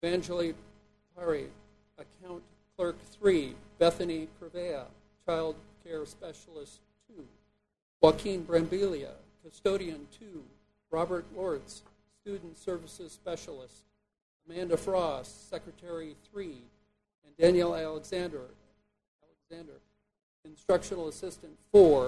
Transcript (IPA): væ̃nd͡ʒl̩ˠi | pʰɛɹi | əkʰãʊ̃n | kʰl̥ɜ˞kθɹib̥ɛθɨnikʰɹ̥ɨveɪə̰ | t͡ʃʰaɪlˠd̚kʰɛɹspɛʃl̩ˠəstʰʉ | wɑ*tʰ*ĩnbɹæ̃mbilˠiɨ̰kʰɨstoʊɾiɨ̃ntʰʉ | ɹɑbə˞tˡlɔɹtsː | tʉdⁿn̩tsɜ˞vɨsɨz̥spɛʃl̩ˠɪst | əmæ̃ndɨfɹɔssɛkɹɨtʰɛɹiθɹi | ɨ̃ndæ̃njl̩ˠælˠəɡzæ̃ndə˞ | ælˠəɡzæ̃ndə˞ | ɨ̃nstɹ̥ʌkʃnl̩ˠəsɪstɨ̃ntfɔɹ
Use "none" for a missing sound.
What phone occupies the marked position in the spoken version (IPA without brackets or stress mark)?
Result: kʰ